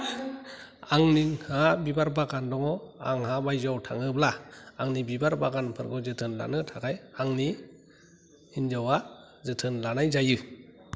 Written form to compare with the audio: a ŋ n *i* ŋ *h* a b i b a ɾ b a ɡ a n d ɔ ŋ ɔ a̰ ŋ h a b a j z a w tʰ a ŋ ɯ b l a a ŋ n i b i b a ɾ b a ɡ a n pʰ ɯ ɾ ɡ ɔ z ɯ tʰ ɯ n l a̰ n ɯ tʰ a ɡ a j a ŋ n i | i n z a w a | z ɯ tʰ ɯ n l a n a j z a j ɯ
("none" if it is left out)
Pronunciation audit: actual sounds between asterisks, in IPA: i, h

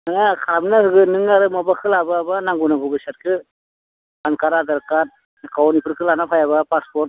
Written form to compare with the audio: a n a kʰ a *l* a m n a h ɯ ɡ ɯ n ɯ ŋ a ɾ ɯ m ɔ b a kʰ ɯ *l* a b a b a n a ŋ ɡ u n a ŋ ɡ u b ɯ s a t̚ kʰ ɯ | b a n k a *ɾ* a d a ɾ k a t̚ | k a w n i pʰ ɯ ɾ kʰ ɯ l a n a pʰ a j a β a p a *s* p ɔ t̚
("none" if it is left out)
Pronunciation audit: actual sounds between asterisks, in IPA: ɾ, l, ɾ, s

